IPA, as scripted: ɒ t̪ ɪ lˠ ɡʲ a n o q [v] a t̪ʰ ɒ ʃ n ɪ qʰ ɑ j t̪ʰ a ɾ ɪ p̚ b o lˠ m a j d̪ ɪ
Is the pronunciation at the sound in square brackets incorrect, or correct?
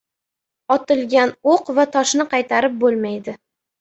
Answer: correct